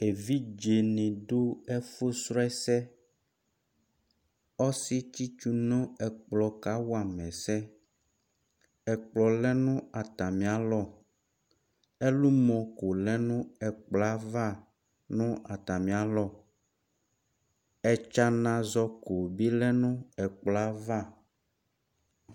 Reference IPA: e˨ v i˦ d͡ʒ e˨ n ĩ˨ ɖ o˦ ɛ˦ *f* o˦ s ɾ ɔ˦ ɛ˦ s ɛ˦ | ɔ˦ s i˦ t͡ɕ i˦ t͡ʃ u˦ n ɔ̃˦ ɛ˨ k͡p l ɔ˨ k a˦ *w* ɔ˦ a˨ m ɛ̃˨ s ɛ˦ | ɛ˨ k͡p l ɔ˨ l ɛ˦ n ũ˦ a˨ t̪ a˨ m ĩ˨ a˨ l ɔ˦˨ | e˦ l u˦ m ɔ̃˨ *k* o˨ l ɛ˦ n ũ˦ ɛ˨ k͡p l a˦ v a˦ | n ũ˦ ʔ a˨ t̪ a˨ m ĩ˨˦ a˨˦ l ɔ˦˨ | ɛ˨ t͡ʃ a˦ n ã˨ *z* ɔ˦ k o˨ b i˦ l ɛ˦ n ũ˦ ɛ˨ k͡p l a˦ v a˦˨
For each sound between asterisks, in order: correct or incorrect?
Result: correct, correct, correct, correct

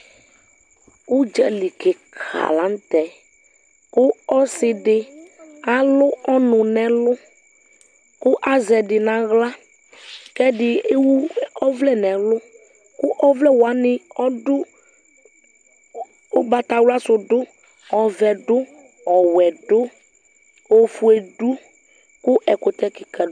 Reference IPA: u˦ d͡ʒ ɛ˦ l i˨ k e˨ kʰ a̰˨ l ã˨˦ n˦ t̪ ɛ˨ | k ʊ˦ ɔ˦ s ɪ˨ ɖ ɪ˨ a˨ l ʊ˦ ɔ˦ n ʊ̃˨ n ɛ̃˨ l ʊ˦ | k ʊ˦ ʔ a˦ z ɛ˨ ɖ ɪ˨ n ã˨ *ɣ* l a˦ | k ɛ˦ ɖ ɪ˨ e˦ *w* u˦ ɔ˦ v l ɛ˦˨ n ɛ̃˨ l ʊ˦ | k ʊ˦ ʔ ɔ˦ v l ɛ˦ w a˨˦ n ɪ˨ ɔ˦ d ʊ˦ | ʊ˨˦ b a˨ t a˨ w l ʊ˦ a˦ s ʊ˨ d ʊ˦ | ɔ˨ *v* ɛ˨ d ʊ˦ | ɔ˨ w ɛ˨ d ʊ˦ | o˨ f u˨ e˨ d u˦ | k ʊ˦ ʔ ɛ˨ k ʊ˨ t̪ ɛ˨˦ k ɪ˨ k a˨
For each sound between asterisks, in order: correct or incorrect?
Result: correct, correct, correct

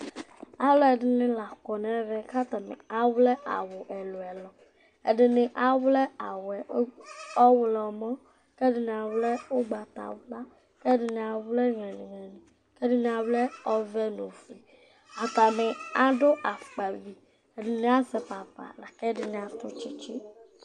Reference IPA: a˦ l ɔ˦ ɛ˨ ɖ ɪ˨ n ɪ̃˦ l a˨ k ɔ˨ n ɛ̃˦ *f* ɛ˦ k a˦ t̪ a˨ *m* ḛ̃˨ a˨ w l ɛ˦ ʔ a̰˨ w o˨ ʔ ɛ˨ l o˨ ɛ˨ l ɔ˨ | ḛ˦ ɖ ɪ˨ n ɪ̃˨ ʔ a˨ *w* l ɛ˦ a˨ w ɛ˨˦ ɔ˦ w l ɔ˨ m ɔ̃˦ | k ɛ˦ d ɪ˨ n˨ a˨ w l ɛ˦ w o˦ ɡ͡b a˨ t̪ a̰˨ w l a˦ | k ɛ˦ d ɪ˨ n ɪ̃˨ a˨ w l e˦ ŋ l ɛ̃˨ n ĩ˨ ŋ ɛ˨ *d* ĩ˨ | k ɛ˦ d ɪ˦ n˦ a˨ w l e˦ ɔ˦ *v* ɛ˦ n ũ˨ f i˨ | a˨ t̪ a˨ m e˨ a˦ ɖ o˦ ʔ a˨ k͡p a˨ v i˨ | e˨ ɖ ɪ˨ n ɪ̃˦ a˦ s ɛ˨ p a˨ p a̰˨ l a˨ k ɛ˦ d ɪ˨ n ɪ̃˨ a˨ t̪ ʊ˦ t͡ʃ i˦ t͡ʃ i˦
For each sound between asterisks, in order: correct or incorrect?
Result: incorrect, correct, correct, incorrect, correct

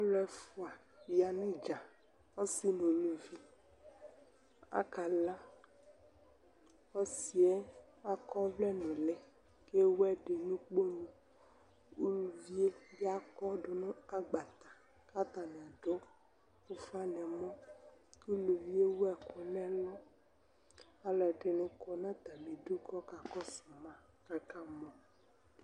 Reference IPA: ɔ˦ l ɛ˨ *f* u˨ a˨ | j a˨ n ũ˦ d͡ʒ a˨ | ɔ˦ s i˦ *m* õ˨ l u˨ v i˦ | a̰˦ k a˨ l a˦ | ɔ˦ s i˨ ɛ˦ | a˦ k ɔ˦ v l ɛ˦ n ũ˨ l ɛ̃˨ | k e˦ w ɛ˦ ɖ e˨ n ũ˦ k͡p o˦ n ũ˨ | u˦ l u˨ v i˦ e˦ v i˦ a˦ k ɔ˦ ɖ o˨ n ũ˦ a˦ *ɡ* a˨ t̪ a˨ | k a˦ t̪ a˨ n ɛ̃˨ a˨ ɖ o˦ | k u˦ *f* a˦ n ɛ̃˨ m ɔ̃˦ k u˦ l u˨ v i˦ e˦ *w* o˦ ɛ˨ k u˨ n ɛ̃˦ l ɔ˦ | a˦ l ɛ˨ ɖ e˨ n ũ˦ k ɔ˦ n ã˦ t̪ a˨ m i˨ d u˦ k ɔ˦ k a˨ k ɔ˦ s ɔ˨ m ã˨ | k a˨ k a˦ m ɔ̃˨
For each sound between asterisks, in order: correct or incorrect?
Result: correct, incorrect, incorrect, correct, correct

